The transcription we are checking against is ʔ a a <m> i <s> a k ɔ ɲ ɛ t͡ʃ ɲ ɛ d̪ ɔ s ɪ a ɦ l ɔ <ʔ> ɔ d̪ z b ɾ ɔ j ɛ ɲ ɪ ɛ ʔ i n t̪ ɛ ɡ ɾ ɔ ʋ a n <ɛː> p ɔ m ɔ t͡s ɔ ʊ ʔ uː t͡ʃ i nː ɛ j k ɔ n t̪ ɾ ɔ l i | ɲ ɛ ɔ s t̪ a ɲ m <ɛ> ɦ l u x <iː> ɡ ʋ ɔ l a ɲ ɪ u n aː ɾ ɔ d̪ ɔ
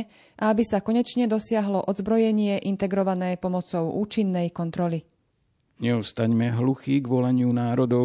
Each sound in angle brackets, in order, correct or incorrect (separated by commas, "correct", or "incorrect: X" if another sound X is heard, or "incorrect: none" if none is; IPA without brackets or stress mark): incorrect: b, correct, correct, correct, correct, correct